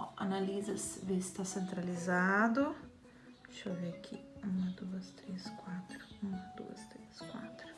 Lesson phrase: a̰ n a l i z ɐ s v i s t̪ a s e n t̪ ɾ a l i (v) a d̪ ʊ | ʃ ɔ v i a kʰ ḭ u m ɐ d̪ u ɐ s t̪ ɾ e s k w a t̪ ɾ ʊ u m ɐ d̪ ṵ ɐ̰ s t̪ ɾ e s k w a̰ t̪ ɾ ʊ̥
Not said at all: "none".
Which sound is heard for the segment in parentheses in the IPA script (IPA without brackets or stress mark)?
z